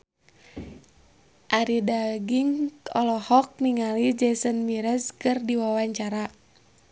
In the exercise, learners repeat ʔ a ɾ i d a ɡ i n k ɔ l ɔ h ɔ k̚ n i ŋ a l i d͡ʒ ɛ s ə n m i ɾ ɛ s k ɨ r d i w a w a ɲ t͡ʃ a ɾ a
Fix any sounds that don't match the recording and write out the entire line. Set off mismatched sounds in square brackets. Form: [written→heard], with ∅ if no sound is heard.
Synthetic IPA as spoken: ʔ a ɾ i d a ɡ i [n→ŋ] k ɔ l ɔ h ɔ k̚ n i ŋ a l i d͡ʒ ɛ s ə n m i ɾ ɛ s k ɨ r d i w a w a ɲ t͡ʃ a ɾ a